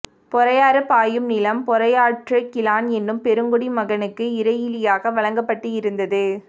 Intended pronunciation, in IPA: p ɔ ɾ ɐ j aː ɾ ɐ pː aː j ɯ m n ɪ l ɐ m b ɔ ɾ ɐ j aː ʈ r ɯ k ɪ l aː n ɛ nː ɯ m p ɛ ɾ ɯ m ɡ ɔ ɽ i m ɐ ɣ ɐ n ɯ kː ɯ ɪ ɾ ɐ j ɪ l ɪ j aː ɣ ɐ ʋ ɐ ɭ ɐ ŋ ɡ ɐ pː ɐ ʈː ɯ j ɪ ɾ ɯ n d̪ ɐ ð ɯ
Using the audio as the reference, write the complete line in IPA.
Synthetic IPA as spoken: p ɔ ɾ ɐ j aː ɾ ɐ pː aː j ɯ m n ɪ l ɐ m p ɔ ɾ ɐ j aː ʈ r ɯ k ɪ l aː n ɛ nː ɯ m p ɛ ɾ ɯ ŋ ɡ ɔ ɽ i m ɐ ɣ ɐ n ɯ kː ɯ ɪ ɾ ɐ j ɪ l ɪ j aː ɣ ɐ ʋ ɐ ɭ ɐ ŋ ɡ ɐ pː ɐ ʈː ɯ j ɪ ɾ ɯ n d̪ ɐ ð ɯ